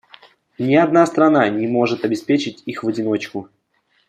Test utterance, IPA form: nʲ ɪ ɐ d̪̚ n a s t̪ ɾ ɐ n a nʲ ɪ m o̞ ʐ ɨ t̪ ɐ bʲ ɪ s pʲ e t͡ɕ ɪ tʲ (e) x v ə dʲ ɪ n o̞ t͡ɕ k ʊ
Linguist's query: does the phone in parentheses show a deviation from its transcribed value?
yes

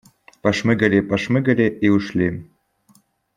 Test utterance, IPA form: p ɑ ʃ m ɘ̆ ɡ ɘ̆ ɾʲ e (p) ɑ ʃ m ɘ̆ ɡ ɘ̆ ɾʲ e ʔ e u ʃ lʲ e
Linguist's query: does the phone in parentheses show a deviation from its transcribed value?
no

